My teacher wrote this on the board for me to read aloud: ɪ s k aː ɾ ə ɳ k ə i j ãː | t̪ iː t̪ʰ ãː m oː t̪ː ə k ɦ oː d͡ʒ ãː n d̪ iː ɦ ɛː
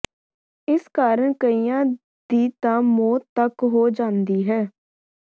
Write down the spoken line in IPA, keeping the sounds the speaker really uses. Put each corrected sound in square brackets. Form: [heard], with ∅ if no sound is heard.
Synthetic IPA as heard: ɪ s k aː ɾ ə ɳ k ə i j ãː | [d̪] iː [t̪] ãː m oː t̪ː ə k ɦ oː d͡ʒ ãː n d̪ iː ɦ ɛː

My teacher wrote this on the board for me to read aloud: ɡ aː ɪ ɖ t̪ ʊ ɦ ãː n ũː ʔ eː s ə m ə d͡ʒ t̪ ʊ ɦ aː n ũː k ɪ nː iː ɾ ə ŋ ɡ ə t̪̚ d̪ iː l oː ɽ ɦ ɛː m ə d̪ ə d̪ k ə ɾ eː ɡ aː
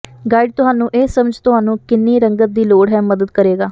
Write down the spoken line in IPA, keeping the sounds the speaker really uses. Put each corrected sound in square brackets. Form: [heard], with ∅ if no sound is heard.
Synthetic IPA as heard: ɡ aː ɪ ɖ t̪ ʊ ɦ [aː] n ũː ʔ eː s ə m ə d͡ʒ t̪ ʊ ɦ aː n ũː k ɪ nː iː ɾ ə ŋ ɡ ə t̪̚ d̪ iː l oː ɽ ɦ ɛː m ə d̪ ə d̪ k ə ɾ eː ɡ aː

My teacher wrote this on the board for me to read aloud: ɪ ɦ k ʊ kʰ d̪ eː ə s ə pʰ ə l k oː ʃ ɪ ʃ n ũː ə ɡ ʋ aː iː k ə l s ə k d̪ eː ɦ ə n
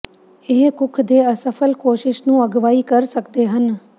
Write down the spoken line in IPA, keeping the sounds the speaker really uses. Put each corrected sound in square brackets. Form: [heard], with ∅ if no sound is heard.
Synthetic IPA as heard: ɪ ɦ k ʊ kʰ d̪ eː ə s ə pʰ ə l k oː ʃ ɪ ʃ n ũː ə ɡ ʋ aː iː k ə [ɾ] s ə k d̪ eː ɦ ə n

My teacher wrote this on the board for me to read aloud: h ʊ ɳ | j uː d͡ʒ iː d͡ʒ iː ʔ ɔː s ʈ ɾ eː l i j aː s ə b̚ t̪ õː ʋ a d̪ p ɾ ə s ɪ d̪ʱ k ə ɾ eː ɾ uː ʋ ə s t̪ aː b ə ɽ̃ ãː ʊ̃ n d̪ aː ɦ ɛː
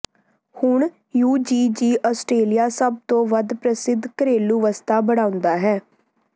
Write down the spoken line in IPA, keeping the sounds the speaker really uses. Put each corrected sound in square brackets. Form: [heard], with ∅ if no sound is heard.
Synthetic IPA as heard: h ʊ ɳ | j uː d͡ʒ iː d͡ʒ iː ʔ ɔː s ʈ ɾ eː l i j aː s ə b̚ t̪ õː ʋ [ə] d̪ p ɾ ə s ɪ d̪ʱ k ə ɾ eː [l] uː ʋ ə s t̪ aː b ə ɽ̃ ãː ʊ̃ n d̪ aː ɦ ɛː

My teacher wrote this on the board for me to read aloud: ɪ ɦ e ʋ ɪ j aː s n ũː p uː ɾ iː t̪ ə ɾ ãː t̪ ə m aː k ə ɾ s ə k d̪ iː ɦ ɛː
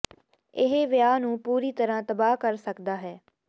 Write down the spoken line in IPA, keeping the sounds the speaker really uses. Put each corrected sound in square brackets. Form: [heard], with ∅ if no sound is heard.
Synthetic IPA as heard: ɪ ɦ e ʋ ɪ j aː [∅] n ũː p uː ɾ iː t̪ ə ɾ ãː t̪ ə [b] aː k ə ɾ s ə k d̪ [aː] ɦ ɛː

